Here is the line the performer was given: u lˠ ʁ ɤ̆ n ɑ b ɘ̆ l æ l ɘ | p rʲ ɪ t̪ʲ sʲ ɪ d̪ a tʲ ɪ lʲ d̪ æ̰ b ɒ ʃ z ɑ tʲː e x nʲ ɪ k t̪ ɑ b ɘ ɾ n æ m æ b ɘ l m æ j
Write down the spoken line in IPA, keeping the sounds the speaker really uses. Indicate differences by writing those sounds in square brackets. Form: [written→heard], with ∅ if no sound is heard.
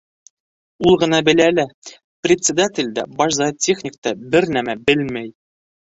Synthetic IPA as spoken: u lˠ ʁ ɤ̆ n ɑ b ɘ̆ l æ l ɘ | p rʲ ɪ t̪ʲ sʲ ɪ d̪ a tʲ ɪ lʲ d̪ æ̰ b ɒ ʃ z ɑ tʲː e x nʲ ɪ k t̪ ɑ b ɘ ɾ n æ m æ b ɘ l m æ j